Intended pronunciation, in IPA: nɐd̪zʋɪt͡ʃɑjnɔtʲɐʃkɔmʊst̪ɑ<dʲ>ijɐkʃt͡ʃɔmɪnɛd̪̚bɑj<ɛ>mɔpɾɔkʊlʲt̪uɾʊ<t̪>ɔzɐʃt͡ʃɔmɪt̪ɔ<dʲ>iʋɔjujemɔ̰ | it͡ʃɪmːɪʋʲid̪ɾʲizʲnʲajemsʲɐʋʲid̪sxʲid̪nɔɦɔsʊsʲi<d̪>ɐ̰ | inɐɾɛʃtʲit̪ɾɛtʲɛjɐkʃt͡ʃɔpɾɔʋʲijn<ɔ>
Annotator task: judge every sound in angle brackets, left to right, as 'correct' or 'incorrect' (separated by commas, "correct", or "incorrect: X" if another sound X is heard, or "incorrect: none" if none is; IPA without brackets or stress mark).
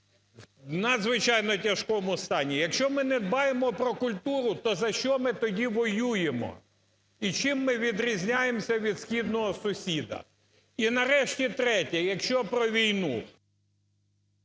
incorrect: nʲ, incorrect: e, correct, correct, correct, incorrect: u